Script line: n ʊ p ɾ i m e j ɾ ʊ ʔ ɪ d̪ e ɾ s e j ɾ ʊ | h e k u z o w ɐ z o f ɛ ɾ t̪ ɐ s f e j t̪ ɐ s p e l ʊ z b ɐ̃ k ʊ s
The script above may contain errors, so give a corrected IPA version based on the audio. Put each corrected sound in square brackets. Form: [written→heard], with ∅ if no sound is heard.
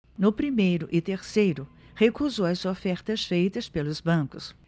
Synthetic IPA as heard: n ʊ p ɾ i m e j ɾ ʊ ʔ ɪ [d̪→t̪] e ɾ s e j ɾ ʊ | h e k u z o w ɐ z o f ɛ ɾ t̪ ɐ s f e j t̪ ɐ s p e l ʊ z b ɐ̃ k ʊ s